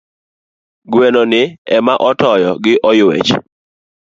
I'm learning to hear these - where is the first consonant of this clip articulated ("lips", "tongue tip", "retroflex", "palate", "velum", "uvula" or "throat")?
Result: velum